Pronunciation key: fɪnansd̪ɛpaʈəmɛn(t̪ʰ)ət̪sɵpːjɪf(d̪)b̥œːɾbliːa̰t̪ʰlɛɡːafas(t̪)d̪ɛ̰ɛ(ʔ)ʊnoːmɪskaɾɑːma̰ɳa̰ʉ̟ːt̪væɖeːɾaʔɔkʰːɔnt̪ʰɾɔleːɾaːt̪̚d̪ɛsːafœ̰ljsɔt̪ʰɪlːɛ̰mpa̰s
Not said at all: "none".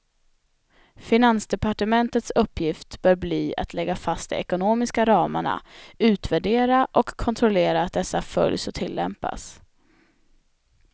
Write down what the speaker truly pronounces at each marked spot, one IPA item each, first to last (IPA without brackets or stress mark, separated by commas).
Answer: t̪, t̪, t̪, k